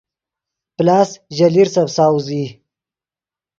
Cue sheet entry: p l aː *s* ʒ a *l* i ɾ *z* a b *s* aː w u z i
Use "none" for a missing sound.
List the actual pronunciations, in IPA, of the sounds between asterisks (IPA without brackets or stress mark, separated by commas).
s, l, s, s